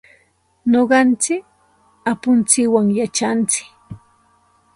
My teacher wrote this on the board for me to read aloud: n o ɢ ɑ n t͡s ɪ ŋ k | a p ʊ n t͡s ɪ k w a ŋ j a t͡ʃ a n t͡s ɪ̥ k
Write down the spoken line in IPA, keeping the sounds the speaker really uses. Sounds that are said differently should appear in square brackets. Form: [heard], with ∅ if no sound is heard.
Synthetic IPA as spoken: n o ɢ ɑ n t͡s ɪ [∅] k | a p ʊ n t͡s ɪ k w a ŋ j a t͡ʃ a n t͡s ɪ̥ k